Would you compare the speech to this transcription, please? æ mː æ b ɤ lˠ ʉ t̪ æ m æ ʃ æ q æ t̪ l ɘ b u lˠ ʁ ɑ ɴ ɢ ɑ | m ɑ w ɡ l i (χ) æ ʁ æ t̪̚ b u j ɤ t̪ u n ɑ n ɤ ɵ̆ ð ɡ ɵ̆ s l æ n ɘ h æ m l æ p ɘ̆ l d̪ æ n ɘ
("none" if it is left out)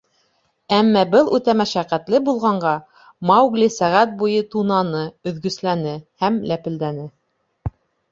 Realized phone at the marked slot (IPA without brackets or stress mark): s